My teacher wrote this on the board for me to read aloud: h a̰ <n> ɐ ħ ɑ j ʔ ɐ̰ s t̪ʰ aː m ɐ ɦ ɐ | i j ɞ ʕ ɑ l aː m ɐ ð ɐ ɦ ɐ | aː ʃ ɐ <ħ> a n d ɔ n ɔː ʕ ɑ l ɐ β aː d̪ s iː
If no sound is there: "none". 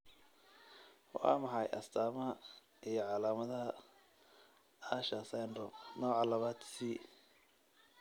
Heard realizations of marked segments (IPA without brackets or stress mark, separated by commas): m, s